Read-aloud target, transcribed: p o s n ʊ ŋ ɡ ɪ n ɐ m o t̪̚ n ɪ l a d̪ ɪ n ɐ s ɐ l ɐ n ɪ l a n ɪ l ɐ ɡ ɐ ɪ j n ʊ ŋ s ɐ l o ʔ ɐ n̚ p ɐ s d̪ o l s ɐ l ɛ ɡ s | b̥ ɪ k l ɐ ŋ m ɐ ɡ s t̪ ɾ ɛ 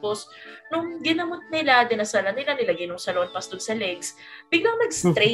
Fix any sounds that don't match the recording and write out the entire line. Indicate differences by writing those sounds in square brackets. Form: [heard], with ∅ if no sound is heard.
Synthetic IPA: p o s n ʊ ŋ ɡ ɪ n ɐ m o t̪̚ n ɪ l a d̪ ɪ n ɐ s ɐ l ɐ n ɪ l a n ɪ l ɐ ɡ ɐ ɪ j n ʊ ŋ s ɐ l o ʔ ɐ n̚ p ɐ s [t̪] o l s ɐ l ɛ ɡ s | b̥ ɪ [ɡ] l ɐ ŋ m ɐ ɡ s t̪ ɾ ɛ